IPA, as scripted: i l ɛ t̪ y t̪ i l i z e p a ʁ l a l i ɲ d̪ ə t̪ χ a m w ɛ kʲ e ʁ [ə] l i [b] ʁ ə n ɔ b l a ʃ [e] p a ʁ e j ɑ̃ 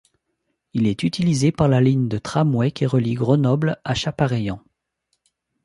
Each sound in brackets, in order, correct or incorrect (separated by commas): correct, incorrect, incorrect